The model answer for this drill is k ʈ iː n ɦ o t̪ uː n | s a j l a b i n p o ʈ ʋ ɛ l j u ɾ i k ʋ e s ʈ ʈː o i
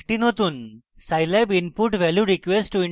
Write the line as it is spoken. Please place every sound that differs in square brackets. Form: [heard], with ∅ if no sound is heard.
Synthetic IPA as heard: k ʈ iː n ɦ o t̪ uː n | s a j l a b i n p [u] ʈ ʋ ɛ l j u ɾ i k ʋ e s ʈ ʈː [u] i